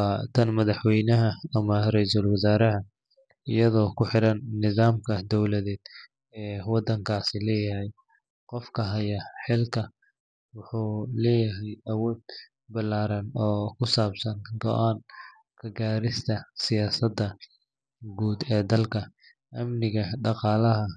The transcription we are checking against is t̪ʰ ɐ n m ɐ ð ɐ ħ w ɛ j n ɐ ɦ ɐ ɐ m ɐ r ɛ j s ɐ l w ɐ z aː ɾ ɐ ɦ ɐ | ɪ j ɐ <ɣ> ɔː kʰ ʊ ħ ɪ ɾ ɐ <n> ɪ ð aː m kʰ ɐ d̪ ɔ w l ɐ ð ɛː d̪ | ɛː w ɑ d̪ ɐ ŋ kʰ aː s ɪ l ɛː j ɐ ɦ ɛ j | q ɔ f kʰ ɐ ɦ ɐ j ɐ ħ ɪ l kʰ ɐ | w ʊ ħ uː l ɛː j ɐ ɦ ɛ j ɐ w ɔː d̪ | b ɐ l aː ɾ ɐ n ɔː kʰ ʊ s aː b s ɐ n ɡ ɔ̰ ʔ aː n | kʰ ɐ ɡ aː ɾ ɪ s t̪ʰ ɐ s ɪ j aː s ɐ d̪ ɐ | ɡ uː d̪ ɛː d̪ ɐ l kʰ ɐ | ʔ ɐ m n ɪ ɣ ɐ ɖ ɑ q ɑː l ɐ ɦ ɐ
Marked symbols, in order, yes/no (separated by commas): no, no